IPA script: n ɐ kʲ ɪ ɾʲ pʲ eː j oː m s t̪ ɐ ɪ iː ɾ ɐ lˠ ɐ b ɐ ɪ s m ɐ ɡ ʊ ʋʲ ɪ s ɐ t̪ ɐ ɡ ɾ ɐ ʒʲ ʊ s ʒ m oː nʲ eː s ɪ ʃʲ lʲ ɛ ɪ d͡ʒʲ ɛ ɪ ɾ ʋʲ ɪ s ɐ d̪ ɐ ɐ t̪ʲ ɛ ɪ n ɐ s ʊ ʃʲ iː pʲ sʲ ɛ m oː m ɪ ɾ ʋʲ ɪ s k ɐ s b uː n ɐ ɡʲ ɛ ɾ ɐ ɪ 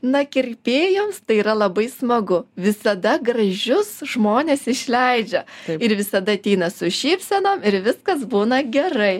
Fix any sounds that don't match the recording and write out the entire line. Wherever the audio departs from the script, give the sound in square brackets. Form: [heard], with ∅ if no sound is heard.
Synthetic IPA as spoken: n ɐ kʲ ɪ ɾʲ pʲ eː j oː m s t̪ ɐ ɪ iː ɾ ɐ lˠ ɐ b ɐ ɪ s m ɐ ɡ ʊ ʋʲ ɪ s ɐ [d̪] ɐ ɡ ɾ ɐ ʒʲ ʊ s ʒ m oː nʲ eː s ɪ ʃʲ lʲ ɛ ɪ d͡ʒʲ ɛ ɪ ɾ ʋʲ ɪ s ɐ d̪ ɐ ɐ t̪ʲ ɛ ɪ n ɐ s ʊ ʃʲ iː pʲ sʲ ɛ [n] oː m ɪ ɾ ʋʲ ɪ s k ɐ s b uː n ɐ ɡʲ ɛ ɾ ɐ ɪ